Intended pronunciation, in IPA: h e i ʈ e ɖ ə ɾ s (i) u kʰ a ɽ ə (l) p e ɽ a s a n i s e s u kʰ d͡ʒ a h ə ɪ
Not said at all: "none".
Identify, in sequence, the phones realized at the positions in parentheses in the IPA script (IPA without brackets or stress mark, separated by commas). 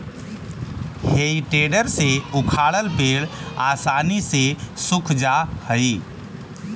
e, l